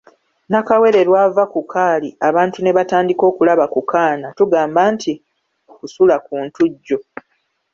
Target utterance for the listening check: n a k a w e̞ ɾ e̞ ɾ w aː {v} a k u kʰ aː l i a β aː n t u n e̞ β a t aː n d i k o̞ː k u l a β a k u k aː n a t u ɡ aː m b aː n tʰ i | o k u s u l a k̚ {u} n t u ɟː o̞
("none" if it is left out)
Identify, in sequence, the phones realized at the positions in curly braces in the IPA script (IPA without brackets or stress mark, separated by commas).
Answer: v, uː